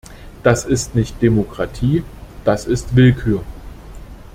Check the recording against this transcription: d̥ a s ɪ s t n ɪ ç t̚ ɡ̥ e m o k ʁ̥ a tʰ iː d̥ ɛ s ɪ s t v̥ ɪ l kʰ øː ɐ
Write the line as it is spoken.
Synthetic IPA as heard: d̥ a s ɪ s t n ɪ ç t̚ d̥ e m o k ʁ̥ a tʰ iː d̥ a s ɪ s t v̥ ɪ l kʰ yː ɐ